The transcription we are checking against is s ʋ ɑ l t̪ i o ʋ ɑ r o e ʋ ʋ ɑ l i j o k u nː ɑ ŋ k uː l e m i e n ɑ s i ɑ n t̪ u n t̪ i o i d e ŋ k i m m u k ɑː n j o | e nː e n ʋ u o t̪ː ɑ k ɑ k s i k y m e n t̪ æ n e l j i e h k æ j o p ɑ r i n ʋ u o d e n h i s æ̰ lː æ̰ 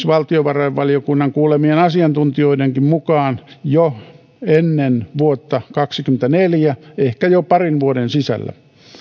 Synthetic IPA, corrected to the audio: s ʋ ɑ l t̪ i o ʋ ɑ r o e ʋ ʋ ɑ l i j o k u nː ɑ ŋ k uː l e m i e n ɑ s i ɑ n t̪ u n t̪ i o i d e ŋ k i m m u k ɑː n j o | e nː e n ʋ u o t̪ː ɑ k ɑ k s i k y m e n t̪ æ n e l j æ e h k æ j o p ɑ r i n ʋ u o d e n s i s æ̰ lː æ̰